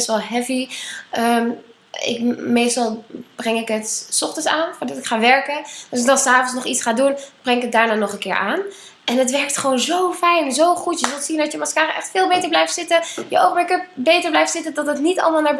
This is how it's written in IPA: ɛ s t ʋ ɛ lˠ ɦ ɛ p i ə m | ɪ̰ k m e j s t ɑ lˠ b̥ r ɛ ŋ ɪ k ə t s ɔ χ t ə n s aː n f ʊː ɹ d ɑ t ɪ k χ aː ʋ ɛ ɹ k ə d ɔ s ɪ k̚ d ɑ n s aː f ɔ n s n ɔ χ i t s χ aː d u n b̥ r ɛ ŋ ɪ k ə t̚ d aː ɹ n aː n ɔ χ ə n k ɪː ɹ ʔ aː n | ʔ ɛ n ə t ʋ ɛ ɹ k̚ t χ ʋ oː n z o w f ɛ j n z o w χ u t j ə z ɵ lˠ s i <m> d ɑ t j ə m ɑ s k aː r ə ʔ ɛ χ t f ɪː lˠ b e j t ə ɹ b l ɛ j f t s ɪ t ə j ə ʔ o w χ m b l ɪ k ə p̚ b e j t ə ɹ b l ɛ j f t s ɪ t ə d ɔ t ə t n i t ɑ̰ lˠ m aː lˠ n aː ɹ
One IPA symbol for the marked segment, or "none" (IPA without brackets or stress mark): n